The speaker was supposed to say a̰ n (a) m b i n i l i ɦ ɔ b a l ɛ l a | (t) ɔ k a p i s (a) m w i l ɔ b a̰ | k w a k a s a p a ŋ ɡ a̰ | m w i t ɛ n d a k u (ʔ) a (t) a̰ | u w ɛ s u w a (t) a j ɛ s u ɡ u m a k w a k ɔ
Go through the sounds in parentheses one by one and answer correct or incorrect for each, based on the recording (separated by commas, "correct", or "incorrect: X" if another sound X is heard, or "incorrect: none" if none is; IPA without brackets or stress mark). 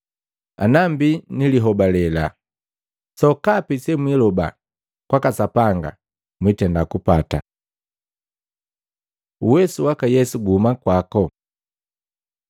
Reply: correct, incorrect: s, incorrect: ɛ, incorrect: p, correct, incorrect: k